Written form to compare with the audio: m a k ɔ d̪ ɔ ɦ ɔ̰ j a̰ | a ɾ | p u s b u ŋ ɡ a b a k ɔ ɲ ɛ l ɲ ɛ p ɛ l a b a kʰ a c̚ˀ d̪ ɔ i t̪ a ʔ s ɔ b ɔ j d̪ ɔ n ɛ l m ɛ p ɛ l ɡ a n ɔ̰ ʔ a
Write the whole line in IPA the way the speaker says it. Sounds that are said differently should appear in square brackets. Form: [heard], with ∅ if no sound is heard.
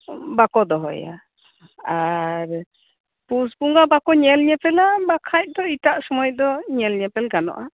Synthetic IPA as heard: [b] a k ɔ d̪ ɔ ɦ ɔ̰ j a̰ | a ɾ | p u s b u ŋ ɡ a b a k ɔ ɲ ɛ l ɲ ɛ p ɛ l a b a kʰ a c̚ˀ d̪ ɔ i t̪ a ʔ s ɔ [m] ɔ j d̪ ɔ [ɲ] ɛ l [ɲ] ɛ p ɛ l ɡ a n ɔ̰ ʔ a